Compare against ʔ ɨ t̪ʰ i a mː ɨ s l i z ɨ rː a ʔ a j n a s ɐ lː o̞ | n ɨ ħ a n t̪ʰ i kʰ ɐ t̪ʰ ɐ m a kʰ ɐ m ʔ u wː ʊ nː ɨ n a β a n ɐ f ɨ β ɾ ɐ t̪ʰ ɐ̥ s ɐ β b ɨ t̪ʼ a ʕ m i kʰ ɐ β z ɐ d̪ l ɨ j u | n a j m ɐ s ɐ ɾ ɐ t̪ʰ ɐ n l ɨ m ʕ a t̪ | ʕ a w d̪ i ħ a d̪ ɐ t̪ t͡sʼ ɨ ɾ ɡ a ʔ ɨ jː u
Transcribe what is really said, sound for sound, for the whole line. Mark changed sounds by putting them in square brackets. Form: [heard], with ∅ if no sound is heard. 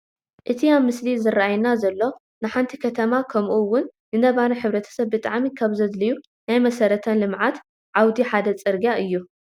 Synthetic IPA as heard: ʔ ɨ t̪ʰ i a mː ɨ s l i z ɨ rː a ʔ a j n a [z] ɐ lː o̞ | n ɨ ħ a n t̪ʰ i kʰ ɐ t̪ʰ ɐ m a kʰ ɐ m ʔ u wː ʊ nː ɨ n [ɐ] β a n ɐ [ħ] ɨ β ɾ ɐ t̪ʰ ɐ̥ s ɐ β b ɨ t̪ʼ a ʕ m i kʰ [a] β z ɐ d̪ l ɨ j u | n a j m ɐ s ɐ ɾ ɐ t̪ʰ ɐ n l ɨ m ʕ a t̪ | ʕ a w d̪ i ħ a d̪ ɐ [∅] t͡sʼ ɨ ɾ ɡ a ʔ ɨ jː u